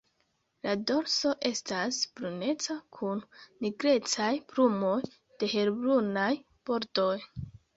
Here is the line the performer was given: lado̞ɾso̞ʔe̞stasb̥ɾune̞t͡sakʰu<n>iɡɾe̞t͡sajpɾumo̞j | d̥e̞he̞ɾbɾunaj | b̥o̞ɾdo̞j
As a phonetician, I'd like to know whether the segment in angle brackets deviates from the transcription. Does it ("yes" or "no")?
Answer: yes